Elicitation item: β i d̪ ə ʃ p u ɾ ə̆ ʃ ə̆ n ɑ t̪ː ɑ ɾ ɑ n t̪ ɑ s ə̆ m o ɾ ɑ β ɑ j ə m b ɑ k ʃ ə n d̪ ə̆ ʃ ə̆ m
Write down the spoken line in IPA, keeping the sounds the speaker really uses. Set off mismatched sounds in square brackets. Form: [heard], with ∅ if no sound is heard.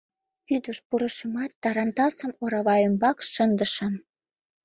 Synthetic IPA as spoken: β [y] d̪ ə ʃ p u ɾ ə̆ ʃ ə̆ [m] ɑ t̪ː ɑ ɾ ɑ n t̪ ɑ s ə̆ m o ɾ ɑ β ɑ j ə m b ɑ k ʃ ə n d̪ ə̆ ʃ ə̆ m